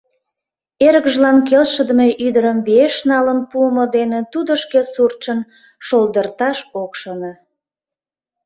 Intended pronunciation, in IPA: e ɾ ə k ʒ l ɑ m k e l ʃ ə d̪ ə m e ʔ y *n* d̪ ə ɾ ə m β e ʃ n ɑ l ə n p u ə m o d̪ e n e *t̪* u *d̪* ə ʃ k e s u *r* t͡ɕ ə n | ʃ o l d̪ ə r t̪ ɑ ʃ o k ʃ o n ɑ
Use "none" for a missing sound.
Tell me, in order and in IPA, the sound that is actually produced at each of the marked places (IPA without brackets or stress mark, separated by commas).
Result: none, t̪, d̪, r